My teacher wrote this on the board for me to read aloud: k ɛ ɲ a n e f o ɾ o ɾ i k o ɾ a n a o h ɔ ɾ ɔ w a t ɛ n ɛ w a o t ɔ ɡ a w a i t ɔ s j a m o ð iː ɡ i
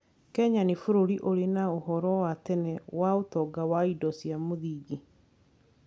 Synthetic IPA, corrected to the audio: k ɛ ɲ a n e f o ɾ o ɾ i ʔ o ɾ e n a o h ɔ ɾ ɔ w a t ɛ n ɛ w a o t ɔ ɡ a w a i d ɔ s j a m o ð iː ɡ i